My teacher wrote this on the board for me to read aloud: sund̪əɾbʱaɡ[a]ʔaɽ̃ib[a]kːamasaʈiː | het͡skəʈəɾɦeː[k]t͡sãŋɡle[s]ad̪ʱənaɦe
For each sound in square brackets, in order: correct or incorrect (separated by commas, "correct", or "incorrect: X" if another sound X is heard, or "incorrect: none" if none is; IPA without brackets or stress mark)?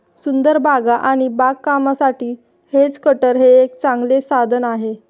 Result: correct, correct, correct, correct